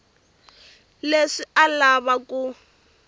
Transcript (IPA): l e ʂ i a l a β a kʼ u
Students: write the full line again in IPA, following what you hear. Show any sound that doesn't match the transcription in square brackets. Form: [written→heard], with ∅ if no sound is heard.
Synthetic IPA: l e ʂ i a l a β a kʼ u